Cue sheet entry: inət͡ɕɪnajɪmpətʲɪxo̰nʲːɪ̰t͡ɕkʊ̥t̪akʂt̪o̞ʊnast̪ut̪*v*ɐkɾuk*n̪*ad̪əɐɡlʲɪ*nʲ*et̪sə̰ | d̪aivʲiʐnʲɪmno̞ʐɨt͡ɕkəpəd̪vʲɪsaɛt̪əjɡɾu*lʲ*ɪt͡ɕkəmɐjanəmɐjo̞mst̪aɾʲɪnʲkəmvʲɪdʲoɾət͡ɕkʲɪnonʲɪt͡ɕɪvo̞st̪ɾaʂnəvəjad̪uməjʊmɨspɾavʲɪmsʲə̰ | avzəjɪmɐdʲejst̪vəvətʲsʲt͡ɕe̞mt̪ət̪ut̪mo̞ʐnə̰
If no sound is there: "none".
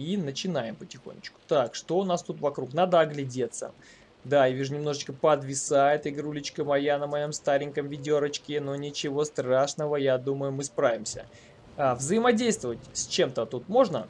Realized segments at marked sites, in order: v, n̪, dʲ, lʲ

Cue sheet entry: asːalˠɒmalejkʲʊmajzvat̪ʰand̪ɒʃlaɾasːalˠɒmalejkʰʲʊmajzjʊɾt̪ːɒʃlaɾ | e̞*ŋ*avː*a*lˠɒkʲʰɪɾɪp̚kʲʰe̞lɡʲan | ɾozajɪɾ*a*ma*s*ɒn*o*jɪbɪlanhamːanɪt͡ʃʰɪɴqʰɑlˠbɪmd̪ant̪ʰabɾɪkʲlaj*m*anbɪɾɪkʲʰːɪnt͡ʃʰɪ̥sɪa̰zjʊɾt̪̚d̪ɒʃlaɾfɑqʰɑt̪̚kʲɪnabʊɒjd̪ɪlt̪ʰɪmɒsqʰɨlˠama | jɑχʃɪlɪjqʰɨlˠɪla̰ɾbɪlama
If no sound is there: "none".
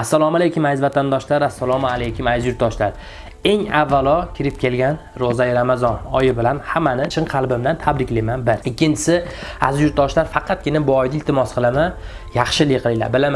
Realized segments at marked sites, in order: ŋ, a, a, z, ɒ, m

